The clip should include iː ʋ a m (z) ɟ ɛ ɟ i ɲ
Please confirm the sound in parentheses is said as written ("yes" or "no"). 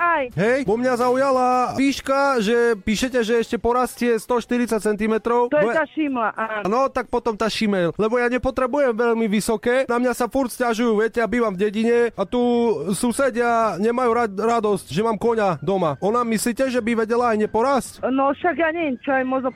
no